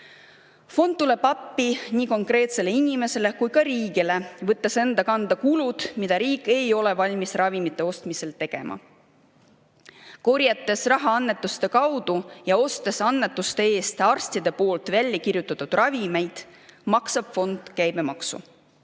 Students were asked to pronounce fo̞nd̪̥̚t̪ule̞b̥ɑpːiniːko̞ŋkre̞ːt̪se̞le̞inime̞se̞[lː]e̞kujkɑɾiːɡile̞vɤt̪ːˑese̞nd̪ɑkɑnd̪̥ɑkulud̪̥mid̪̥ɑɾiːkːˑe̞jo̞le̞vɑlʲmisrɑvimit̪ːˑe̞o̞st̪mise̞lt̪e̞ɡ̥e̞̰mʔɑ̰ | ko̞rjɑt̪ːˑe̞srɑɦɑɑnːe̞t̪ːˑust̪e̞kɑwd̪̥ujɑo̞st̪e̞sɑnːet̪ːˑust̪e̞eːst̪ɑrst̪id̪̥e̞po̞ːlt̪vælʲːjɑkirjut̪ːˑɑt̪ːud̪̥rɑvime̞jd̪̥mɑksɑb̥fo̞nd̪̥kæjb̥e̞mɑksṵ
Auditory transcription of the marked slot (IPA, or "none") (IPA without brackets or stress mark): l